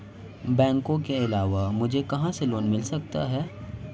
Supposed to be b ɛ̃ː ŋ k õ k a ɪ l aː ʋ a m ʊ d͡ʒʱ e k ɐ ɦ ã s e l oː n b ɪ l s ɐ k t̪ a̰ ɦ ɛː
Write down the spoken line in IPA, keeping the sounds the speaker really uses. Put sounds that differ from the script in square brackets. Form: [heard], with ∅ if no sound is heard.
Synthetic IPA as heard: b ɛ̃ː ŋ k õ k [e] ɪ l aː ʋ a m ʊ d͡ʒʱ e k ɐ ɦ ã s e l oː n [m] ɪ l s ɐ k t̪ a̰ ɦ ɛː